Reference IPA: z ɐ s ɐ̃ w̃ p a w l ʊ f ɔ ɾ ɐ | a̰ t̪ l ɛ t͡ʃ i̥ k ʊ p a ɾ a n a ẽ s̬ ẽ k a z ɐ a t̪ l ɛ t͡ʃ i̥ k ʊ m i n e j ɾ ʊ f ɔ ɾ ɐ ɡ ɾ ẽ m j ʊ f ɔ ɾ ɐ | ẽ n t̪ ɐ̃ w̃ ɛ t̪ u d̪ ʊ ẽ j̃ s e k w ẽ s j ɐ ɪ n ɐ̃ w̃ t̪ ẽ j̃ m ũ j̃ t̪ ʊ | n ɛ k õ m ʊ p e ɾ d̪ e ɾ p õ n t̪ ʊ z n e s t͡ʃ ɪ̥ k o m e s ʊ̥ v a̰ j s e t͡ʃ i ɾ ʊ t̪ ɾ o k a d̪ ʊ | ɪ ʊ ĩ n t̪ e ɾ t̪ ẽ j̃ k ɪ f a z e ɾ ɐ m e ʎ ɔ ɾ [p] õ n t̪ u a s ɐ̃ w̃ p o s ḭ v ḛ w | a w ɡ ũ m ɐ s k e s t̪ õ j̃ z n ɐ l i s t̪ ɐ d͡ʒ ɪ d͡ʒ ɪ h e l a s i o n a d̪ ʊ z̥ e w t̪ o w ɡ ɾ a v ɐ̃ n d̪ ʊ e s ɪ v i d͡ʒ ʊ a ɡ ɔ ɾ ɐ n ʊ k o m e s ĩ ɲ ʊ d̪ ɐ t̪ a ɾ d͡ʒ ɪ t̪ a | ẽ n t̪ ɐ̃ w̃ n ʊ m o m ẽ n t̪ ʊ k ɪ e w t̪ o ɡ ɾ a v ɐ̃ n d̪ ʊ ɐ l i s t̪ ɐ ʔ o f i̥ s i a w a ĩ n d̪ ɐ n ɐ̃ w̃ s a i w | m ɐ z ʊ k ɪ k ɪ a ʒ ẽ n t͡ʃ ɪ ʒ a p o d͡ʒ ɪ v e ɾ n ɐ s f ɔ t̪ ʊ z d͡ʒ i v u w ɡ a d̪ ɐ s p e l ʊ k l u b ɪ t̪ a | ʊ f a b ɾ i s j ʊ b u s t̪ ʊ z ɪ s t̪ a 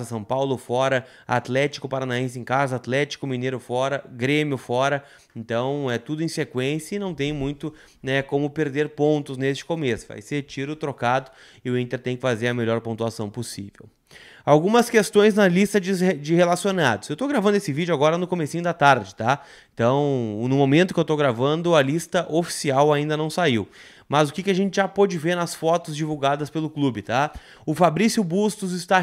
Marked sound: correct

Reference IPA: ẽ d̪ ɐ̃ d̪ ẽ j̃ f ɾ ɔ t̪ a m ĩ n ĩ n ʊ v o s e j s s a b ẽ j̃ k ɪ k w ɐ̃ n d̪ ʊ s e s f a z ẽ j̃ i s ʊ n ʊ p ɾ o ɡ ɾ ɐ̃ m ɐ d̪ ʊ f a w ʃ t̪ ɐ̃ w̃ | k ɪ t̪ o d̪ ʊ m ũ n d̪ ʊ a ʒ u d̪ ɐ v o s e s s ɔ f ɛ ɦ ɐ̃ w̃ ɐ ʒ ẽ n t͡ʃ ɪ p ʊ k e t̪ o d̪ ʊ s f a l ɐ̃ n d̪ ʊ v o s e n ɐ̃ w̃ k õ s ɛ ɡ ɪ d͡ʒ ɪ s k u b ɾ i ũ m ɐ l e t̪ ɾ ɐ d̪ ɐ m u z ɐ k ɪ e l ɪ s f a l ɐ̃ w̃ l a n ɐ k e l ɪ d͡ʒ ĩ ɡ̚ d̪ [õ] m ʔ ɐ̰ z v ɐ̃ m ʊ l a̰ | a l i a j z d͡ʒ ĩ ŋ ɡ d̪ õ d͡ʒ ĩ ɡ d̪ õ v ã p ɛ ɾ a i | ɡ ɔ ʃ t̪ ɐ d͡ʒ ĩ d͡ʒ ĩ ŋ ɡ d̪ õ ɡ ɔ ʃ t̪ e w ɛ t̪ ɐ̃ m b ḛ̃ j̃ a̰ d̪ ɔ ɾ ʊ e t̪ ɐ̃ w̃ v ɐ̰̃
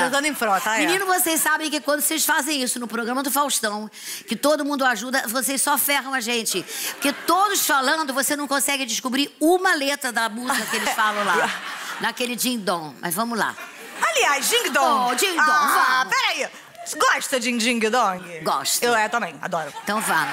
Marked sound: correct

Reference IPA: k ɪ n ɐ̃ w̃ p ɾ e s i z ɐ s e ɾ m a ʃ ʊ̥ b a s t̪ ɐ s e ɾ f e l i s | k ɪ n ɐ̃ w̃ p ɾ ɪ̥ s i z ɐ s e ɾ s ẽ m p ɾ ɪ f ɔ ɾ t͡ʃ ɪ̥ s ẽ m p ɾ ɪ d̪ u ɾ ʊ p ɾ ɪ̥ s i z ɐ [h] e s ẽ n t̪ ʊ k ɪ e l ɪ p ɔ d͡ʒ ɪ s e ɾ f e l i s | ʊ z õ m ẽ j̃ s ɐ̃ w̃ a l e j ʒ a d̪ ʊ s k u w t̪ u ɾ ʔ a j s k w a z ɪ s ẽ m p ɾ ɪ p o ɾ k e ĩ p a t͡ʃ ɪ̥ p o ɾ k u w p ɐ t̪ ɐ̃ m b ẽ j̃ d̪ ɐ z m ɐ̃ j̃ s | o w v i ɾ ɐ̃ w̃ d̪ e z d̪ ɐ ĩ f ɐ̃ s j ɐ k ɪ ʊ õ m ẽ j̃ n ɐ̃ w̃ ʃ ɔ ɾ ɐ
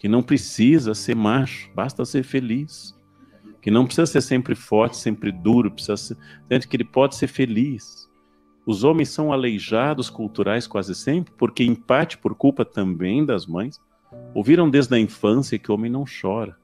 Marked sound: incorrect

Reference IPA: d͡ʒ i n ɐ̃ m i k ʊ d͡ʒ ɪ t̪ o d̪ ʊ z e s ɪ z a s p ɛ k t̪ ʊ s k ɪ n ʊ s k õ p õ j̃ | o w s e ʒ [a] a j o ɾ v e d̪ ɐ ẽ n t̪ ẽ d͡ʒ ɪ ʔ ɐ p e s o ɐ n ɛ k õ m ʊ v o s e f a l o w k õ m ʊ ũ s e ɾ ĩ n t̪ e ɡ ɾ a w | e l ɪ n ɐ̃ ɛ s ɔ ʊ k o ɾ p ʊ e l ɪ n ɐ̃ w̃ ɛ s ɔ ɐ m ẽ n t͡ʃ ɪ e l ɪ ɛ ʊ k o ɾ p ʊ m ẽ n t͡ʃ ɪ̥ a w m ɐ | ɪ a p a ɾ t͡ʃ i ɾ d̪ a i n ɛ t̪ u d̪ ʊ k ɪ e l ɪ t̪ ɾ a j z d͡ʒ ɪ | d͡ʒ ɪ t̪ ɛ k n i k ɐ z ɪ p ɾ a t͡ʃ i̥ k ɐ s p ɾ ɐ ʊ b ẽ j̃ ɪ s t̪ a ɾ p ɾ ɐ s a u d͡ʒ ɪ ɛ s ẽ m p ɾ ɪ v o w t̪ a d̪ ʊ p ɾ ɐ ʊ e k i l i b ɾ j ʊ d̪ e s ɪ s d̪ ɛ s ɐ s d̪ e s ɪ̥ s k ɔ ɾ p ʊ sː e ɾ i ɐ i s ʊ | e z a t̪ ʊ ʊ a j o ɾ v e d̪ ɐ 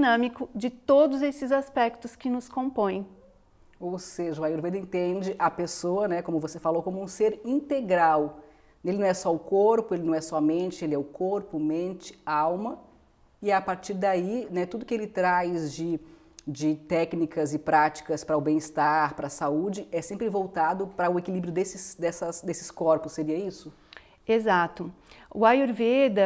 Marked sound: incorrect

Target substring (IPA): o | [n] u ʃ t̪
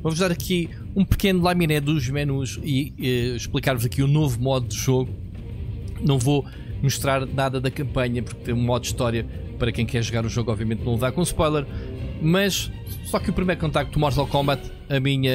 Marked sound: incorrect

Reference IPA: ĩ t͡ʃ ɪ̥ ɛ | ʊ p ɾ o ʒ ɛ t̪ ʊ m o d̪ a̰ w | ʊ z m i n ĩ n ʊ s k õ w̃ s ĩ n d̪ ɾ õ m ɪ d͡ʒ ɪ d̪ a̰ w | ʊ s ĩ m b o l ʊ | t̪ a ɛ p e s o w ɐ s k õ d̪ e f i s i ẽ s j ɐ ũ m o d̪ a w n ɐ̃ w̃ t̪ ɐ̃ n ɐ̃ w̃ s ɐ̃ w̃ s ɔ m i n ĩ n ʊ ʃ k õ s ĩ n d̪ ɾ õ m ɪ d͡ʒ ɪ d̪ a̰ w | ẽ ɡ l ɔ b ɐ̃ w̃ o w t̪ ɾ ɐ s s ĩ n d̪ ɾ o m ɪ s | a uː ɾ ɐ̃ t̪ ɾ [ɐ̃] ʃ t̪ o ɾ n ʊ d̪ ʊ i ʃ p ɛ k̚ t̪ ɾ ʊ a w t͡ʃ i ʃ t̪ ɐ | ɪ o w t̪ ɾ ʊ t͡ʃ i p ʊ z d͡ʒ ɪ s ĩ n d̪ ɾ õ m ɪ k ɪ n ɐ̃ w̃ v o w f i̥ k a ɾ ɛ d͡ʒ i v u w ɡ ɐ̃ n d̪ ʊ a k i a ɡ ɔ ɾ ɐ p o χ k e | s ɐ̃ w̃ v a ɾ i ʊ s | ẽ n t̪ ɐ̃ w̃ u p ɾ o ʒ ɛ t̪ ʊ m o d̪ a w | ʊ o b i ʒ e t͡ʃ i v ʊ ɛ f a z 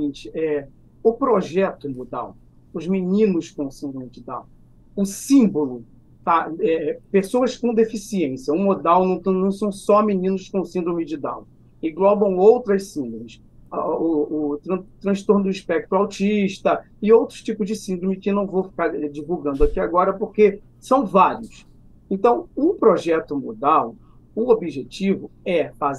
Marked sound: correct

